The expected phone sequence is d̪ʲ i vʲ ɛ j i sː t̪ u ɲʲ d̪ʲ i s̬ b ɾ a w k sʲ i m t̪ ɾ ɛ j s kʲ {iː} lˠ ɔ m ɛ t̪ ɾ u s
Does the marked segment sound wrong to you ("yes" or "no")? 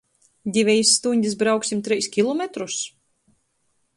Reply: yes